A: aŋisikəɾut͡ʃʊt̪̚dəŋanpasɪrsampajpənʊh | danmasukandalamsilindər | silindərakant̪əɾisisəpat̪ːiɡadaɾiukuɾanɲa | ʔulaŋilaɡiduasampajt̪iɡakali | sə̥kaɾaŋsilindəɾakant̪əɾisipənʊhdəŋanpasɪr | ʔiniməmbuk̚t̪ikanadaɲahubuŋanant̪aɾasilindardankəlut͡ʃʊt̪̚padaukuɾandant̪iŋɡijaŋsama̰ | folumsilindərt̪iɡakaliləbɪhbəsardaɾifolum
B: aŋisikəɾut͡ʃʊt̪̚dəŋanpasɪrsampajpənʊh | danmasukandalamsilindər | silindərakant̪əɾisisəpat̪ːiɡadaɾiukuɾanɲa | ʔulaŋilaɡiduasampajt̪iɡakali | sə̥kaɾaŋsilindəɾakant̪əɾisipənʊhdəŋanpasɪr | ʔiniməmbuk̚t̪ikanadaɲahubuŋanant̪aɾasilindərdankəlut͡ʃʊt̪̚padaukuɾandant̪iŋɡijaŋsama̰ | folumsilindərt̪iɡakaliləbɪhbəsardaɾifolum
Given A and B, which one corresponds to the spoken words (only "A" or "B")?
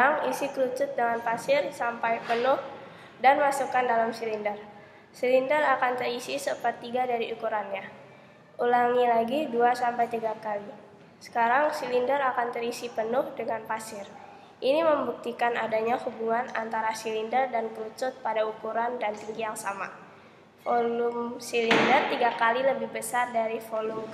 B